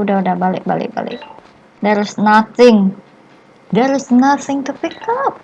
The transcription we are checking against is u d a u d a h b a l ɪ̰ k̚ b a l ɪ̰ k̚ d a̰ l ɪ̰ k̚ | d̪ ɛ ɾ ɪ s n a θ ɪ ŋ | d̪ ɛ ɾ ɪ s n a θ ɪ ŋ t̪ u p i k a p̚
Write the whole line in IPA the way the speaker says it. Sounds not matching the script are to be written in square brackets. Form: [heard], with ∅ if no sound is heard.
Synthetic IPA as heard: u d a u d a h b a l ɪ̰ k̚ b a l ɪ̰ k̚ [b] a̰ l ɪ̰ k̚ | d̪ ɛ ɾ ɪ s n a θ ɪ ŋ | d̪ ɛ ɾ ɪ s n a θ ɪ ŋ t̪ u p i k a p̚

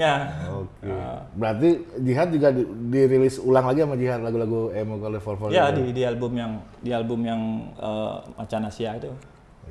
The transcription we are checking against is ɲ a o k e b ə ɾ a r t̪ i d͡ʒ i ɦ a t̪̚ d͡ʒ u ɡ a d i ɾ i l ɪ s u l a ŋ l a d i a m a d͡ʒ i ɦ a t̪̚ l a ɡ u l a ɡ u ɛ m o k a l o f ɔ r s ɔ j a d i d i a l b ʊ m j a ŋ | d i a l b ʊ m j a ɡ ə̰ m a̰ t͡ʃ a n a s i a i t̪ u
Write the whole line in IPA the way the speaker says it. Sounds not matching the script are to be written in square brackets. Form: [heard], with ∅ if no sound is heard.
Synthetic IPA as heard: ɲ a o k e b ə ɾ a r t̪ i d͡ʒ i ɦ a t̪̚ d͡ʒ u ɡ a d i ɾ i l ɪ s u l a ŋ l a [ɡ] i a m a d͡ʒ i ɦ a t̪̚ l a ɡ u l a ɡ u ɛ m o k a l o f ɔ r [f] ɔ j a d i d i a l b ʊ m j a ŋ | d i a l b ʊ m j a [ŋ] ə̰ m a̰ t͡ʃ a n a s i a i t̪ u

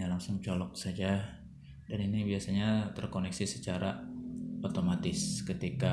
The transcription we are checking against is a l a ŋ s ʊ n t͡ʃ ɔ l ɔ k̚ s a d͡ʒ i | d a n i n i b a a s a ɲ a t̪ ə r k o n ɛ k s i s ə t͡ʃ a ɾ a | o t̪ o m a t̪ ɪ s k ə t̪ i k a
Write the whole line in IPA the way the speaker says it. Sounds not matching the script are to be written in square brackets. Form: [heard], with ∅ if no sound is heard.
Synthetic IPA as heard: a l a ŋ s ʊ [ŋ] t͡ʃ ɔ l ɔ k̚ s a d͡ʒ [a] | d a n i n i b [i] a s a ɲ a t̪ ə r k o n ɛ k s i s ə t͡ʃ a ɾ a | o t̪ o m a t̪ ɪ s k ə t̪ i k a

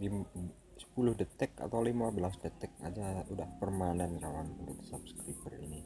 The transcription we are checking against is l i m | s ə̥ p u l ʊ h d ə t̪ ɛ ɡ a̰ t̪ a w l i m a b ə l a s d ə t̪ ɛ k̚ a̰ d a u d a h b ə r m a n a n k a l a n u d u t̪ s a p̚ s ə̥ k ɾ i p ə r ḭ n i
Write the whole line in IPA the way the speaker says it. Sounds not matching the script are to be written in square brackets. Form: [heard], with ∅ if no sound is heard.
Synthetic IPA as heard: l i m | s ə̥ p u l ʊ h d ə t̪ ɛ [k] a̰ t̪ a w l i m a b ə l a s d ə t̪ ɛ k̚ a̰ [d͡ʒ] a u d a h [p] ə r m a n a n k a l a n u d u t̪ s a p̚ s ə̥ k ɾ i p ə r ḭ n i

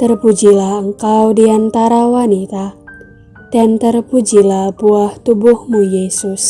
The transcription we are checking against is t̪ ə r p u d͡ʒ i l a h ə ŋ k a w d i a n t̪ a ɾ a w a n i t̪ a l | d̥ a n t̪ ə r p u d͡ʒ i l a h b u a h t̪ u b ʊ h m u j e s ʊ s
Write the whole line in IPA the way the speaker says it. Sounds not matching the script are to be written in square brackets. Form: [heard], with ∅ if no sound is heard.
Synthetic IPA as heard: t̪ ə r p u d͡ʒ i l a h ə ŋ k a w d i a n t̪ a ɾ a w a n i t̪ a [∅] | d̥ a n t̪ ə r p u d͡ʒ i l a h b u a h t̪ u b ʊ h m u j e s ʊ s

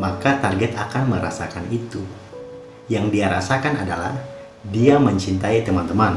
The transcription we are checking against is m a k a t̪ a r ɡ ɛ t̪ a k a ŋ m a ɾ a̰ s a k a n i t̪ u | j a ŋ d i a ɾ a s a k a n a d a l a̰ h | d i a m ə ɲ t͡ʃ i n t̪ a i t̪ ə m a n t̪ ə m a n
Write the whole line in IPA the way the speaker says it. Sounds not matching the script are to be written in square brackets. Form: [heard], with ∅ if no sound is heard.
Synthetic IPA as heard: m a k a t̪ a r ɡ ɛ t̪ a k a [n] m [ə] ɾ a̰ s a k a n i t̪ u | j a ŋ d i a ɾ a s a k a n a d a l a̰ h | d i a m ə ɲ t͡ʃ i n t̪ a i t̪ ə m a n t̪ ə m a n

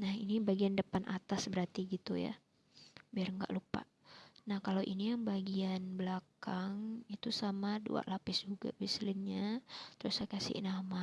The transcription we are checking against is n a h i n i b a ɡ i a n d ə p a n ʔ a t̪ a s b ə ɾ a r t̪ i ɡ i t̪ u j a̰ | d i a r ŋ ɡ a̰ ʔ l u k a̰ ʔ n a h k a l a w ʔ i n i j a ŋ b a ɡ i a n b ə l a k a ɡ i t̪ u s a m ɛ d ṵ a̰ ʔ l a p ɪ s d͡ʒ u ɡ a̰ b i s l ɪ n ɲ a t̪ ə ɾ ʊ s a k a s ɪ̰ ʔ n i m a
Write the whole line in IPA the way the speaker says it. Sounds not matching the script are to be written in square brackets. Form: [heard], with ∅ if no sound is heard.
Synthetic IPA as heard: n a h i n i b a ɡ i a n d ə p a n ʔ a t̪ a s b ə ɾ a r t̪ i ɡ i t̪ u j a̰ | [b] i a r ŋ ɡ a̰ ʔ l u [p] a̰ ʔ n a h k a l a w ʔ i n i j a ŋ b a ɡ i a n b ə l a k a [ŋ] i t̪ u s a m [a] d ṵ a̰ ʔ l a p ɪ s d͡ʒ u ɡ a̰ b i s l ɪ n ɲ a t̪ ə ɾ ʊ s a k a s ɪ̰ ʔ n [a] m a

